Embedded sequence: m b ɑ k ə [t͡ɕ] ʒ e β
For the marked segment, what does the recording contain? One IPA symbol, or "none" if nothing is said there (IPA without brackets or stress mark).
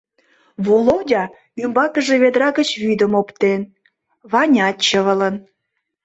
none